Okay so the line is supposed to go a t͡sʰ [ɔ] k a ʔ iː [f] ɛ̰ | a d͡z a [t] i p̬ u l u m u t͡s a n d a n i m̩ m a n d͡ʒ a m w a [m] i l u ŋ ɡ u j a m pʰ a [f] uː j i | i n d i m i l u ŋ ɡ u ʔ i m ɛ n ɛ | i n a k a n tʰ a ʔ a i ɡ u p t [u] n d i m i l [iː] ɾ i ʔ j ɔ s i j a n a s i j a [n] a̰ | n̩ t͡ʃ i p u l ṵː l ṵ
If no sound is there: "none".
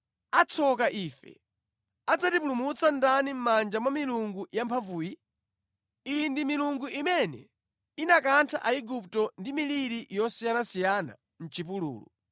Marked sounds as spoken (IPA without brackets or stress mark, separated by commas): ɔ, f, t, m, v, ɔ, i, n